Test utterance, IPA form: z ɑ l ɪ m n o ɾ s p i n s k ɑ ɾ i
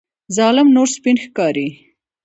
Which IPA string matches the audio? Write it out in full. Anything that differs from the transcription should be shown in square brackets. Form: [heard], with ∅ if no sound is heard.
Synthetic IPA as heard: z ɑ l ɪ m n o ɾ s p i n [x] k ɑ ɾ i